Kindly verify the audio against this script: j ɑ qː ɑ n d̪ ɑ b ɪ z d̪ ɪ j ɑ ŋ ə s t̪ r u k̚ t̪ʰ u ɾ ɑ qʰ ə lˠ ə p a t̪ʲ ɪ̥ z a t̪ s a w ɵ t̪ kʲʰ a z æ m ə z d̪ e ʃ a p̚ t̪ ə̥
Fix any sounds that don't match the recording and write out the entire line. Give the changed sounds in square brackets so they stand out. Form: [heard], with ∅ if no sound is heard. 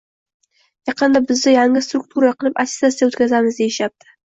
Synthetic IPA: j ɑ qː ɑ n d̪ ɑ b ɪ z d̪ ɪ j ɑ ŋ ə s t̪ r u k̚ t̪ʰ u ɾ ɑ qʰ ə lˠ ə p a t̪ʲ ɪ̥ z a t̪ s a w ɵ t̪ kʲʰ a z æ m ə z d̪ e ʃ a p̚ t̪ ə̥